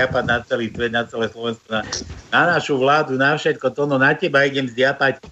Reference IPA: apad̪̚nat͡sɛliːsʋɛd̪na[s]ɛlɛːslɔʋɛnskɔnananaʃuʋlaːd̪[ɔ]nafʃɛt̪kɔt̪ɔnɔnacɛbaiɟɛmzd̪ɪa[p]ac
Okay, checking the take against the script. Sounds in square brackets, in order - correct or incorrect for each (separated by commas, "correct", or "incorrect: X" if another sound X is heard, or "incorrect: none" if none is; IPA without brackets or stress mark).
incorrect: t͡s, incorrect: u, correct